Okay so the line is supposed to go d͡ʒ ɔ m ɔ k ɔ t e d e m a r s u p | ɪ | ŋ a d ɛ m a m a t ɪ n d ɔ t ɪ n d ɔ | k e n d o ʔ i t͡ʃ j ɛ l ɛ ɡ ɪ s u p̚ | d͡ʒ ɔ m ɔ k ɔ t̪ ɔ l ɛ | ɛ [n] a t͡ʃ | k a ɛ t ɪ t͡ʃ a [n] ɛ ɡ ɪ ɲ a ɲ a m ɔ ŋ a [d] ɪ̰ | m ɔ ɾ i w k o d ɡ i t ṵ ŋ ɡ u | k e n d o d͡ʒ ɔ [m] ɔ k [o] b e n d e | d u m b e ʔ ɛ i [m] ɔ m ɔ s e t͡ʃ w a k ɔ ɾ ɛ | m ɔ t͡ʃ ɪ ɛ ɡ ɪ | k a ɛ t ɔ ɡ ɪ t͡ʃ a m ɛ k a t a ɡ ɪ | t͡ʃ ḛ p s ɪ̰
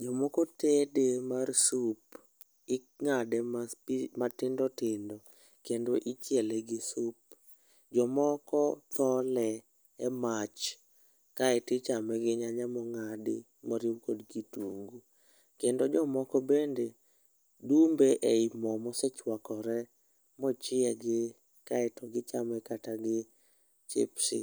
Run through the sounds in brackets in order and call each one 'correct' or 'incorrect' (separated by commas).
incorrect, incorrect, correct, correct, incorrect, correct